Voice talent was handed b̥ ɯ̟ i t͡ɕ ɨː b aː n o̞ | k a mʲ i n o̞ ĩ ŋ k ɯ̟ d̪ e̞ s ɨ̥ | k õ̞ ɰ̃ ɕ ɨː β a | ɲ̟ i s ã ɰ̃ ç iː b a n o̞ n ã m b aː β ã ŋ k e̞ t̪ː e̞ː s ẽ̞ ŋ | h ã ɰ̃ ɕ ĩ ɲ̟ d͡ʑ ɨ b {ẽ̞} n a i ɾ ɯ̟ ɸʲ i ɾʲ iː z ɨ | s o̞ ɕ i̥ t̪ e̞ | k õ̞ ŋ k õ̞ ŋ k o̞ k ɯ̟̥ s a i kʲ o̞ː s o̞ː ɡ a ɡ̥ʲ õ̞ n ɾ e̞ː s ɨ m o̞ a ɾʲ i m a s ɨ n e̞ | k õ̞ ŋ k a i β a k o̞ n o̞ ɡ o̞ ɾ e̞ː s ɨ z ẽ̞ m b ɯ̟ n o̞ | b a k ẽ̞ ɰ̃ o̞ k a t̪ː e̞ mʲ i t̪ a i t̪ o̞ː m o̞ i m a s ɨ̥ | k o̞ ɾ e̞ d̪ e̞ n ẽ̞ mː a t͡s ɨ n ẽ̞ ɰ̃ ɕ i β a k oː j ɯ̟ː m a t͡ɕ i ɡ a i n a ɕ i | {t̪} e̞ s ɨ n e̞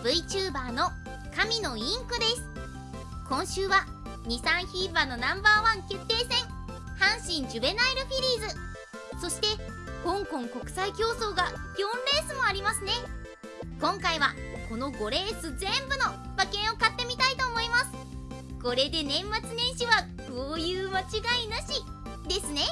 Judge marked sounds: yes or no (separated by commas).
no, no